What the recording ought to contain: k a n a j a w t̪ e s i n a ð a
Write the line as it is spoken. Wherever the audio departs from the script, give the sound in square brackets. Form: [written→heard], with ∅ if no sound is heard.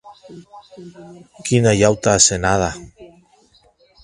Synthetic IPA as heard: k [a→i] n a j a w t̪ [e→a] s [i→e] n a ð a